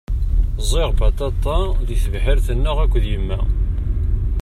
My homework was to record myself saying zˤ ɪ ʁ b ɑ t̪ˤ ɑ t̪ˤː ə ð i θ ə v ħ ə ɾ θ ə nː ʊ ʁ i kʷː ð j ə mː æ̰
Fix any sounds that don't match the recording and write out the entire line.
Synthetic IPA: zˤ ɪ ʁ b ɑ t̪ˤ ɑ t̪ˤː ɑ ð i θ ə v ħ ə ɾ θ ə nː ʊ ʁ æ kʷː ð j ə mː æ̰